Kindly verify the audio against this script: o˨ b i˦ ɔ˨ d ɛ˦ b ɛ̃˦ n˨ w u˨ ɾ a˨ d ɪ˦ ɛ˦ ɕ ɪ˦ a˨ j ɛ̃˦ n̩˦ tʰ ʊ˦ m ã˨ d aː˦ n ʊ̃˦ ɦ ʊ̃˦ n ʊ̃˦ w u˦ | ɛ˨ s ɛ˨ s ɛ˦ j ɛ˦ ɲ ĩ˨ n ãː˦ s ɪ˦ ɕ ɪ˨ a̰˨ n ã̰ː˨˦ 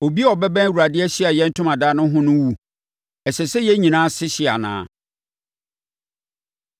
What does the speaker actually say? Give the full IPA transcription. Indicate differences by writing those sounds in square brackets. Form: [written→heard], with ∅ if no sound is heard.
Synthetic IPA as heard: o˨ b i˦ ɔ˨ [d→b] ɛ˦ b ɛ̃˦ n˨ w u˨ ɾ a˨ d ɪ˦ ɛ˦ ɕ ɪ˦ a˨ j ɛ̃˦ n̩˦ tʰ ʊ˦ m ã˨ d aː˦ n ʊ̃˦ ɦ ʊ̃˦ n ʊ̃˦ w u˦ | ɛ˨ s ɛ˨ s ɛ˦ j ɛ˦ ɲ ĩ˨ n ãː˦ s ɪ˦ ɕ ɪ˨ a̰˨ n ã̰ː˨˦

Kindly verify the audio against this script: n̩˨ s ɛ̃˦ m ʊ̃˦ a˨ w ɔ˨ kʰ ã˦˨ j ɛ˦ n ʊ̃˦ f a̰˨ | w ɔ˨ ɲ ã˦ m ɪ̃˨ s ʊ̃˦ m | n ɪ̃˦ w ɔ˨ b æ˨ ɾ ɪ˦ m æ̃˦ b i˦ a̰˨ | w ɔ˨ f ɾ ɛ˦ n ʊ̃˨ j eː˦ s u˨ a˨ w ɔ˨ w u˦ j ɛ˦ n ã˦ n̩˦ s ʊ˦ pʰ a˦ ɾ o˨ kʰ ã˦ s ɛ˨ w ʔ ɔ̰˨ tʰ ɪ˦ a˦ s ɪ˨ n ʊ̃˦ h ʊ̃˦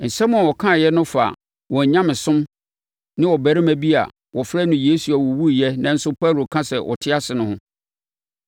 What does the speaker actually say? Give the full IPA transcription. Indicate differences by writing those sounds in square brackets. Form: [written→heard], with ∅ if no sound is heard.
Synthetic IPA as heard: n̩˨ s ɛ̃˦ m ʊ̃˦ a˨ w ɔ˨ kʰ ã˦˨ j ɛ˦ n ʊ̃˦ f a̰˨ | w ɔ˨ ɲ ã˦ m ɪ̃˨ s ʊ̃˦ m | n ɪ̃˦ w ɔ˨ b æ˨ ɾ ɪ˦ m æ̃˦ b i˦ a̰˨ | w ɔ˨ f ɾ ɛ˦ n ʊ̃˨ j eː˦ s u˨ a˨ w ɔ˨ w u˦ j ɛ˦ n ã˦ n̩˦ s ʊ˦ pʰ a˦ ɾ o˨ kʰ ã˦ s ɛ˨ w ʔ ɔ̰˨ tʰ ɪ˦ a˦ s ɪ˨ n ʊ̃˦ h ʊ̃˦

